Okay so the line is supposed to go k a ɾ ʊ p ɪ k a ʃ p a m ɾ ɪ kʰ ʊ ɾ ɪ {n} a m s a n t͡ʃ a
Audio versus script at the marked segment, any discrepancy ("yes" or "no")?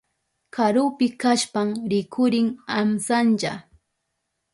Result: yes